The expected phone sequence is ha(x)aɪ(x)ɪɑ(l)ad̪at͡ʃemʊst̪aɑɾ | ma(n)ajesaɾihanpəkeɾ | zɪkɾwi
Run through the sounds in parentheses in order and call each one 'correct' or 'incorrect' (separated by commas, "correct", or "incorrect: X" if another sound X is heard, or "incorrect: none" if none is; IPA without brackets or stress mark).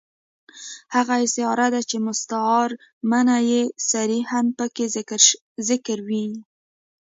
incorrect: ɣ, incorrect: s, incorrect: ɾ, correct